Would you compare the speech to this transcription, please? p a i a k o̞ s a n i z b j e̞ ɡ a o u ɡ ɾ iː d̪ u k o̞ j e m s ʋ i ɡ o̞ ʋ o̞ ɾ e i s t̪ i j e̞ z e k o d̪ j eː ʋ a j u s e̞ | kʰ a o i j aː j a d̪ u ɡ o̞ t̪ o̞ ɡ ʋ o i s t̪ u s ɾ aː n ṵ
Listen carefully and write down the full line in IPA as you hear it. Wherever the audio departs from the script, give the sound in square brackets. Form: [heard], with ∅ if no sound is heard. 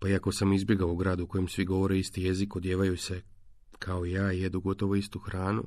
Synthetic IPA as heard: p a i a k o̞ s a [m] i z b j e̞ ɡ a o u ɡ ɾ [aː] d̪ u k o̞ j e m s ʋ i ɡ o̞ ʋ o̞ ɾ e i s t̪ i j e̞ z [i] k o d̪ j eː ʋ a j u s e̞ | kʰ a o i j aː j [e] d̪ u ɡ o̞ t̪ o̞ [∅] ʋ o i s t̪ u [x] ɾ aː n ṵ